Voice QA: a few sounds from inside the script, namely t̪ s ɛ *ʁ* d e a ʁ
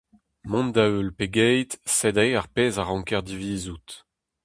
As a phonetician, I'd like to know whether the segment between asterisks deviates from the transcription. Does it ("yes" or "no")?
yes